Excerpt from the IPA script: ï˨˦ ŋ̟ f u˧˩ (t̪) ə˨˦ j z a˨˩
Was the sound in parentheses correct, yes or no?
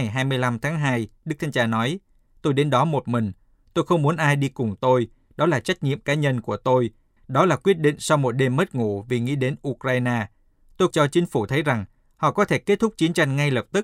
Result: no